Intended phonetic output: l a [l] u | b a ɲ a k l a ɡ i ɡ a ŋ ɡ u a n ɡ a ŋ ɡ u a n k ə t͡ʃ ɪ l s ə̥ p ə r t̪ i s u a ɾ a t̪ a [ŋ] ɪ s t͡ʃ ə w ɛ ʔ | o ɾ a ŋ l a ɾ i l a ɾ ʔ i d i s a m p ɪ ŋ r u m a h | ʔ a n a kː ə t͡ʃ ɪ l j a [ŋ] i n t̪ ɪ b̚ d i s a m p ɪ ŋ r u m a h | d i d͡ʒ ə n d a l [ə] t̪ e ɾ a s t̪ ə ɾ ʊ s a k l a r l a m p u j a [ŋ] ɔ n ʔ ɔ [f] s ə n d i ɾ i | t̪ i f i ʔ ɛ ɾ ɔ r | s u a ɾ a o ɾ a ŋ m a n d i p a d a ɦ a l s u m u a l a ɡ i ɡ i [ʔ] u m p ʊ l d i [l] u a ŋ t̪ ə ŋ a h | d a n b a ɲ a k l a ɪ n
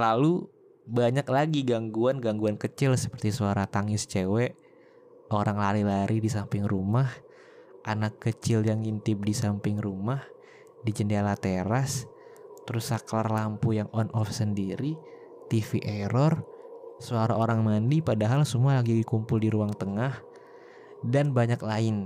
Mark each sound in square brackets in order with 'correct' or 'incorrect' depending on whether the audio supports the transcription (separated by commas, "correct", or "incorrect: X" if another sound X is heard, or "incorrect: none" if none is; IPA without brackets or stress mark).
correct, correct, correct, incorrect: a, correct, correct, incorrect: k, incorrect: ɾ